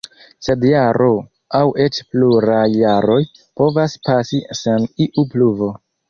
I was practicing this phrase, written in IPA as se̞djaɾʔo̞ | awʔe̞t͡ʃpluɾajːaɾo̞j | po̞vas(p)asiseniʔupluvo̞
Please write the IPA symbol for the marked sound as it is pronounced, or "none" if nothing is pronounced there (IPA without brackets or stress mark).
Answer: p